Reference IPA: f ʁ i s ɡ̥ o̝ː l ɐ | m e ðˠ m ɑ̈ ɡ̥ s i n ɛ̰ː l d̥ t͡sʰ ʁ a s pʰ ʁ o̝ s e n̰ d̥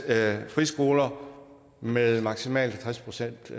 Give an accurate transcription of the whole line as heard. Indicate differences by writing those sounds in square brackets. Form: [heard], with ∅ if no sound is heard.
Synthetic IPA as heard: f ʁ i s ɡ̥ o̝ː l ɐ | m e ðˠ m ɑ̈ ɡ̥ s i [m] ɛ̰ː l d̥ t͡sʰ ʁ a s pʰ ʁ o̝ s e n̰ d̥